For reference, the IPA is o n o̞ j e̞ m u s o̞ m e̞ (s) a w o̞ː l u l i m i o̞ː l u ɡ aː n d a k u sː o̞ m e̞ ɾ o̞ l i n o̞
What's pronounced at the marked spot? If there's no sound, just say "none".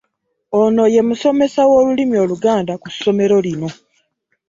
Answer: s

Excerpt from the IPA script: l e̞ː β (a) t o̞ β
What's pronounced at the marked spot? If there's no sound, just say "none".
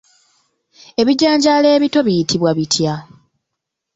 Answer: i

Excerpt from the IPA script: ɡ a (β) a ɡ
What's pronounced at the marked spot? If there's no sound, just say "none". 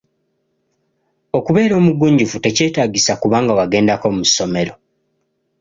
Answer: w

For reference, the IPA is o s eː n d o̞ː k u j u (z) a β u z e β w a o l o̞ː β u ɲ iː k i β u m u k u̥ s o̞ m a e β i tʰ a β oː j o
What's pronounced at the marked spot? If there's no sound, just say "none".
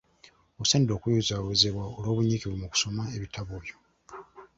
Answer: z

